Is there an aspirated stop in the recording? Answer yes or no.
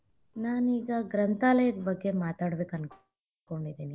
no